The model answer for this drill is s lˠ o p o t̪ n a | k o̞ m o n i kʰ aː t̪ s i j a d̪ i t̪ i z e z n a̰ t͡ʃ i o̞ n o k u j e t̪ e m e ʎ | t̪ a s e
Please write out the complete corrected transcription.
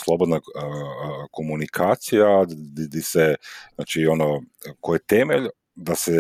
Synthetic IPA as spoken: s lˠ o b o d̪ n a | k o̞ m u n i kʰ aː t̪ s i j a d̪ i d̪ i s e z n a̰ t͡ʃ i o̞ n o k o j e t̪ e m e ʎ | d̪ a s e